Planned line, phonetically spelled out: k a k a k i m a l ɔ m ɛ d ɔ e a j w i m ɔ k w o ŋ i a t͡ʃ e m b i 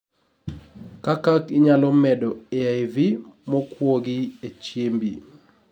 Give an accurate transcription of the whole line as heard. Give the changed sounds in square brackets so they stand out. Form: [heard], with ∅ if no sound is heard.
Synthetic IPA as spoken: k a k a k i [ɲ] a l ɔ m ɛ d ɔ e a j [v] i m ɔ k w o [ɡ] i [e] t͡ʃ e m b i

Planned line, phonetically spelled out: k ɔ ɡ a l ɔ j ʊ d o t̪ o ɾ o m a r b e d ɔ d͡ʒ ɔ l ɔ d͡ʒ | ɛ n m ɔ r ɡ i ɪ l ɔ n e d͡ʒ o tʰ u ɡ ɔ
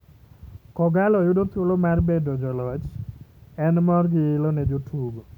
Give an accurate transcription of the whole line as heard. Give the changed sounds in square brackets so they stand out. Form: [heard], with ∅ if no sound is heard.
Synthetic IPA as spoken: k ɔ ɡ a l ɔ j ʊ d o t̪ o [l] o m a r b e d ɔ d͡ʒ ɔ l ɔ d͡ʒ | ɛ n m ɔ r ɡ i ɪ l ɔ n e d͡ʒ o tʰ u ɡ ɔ

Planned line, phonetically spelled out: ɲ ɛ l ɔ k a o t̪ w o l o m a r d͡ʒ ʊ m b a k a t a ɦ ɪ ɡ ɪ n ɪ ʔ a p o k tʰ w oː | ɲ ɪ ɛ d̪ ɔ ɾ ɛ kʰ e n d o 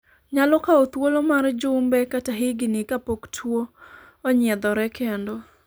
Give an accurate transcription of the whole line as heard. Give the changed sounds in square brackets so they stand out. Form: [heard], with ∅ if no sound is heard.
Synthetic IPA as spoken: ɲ [a] l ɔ k a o t̪ w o l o m a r d͡ʒ ʊ m b [ɛ] k a t a ɦ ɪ ɡ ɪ n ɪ [k] a p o k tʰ w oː | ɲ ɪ ɛ d̪ ɔ ɾ ɛ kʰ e n d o

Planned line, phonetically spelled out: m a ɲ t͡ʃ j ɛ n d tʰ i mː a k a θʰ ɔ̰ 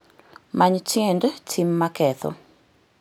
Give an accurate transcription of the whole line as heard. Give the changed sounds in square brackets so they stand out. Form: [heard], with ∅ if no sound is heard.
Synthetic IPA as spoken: m a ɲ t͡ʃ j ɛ n d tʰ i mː a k [ɛ] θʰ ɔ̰

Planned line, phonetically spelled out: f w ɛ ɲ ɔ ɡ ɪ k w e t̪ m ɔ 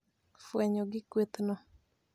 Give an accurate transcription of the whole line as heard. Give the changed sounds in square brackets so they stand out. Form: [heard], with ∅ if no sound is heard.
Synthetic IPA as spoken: f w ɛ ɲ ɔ ɡ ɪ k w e t̪ [n] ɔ

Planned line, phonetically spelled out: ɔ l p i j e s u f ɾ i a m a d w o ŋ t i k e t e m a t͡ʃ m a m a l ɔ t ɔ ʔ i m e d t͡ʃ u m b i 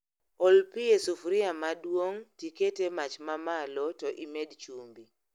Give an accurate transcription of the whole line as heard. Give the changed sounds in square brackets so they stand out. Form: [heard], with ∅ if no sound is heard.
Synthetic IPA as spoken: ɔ l p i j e s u f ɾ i a m a d w o ŋ t i k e t e m a t͡ʃ m a m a l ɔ t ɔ ʔ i m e d t͡ʃ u m b i

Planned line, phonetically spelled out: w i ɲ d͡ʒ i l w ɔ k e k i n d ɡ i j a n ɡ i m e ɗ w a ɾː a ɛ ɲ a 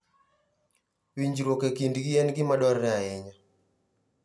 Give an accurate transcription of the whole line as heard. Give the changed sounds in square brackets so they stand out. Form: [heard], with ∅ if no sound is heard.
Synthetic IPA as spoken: w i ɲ d͡ʒ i [ɾ] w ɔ k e k i n d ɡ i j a n ɡ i m [a] ɗ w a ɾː a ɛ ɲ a

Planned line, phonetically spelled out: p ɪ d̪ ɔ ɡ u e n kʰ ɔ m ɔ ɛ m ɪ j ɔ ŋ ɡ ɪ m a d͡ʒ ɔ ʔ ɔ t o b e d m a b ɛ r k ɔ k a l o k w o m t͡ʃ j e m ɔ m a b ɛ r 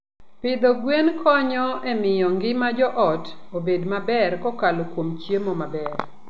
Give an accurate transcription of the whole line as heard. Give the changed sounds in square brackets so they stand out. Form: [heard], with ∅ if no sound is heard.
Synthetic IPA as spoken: p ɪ d̪ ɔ ɡ [w] e n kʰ ɔ [ɲ] ɔ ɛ m ɪ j ɔ ŋ ɡ ɪ m a d͡ʒ ɔ ʔ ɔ t o b e d m a b ɛ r k ɔ k a l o k w o m t͡ʃ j e m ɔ m a b ɛ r

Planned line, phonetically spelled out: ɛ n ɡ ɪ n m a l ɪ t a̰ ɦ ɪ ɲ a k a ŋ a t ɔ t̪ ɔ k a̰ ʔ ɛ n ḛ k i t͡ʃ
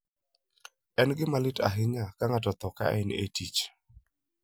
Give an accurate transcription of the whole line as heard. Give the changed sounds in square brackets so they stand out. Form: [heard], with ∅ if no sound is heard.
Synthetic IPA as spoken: ɛ n ɡ ɪ [∅] m a l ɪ t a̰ ɦ ɪ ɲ a k a ŋ a t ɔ t̪ ɔ k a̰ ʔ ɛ n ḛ [t] i t͡ʃ

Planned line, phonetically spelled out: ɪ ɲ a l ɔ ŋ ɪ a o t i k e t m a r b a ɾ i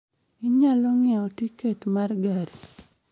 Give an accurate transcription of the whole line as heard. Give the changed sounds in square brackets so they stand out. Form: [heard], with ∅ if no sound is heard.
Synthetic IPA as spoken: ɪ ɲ a l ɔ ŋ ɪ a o t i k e t m a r [ɡ] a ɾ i

